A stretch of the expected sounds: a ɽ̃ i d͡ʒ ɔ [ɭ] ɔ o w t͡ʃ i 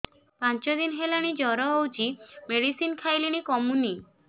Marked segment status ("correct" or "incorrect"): incorrect